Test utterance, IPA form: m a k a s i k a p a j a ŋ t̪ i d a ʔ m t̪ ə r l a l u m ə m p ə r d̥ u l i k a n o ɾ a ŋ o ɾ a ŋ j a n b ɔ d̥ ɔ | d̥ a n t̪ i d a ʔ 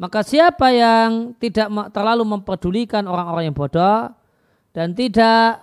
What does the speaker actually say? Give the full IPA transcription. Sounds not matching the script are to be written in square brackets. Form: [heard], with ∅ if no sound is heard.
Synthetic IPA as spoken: m a k a s i [∅] a p a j a ŋ t̪ i d a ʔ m t̪ ə r l a l u m ə m p ə r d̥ u l i k a n o ɾ a ŋ o ɾ a ŋ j a [ŋ] b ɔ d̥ ɔ | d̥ a n t̪ i d a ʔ